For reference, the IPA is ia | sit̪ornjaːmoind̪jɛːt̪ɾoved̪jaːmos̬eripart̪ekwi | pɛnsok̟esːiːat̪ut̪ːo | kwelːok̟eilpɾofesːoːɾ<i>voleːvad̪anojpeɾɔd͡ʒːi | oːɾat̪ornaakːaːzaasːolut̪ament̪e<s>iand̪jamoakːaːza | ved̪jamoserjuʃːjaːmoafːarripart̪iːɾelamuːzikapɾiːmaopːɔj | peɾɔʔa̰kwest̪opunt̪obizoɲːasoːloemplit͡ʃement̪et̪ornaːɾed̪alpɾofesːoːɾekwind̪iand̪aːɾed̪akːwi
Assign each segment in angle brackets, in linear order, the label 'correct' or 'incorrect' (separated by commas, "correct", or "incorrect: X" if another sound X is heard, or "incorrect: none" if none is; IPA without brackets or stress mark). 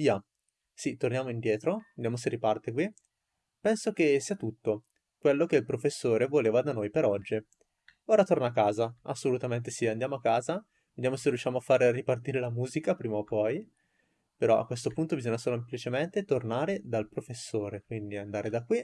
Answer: incorrect: e, correct